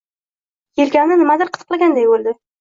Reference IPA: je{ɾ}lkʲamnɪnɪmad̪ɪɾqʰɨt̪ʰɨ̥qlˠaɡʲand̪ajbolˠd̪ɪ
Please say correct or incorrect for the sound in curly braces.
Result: incorrect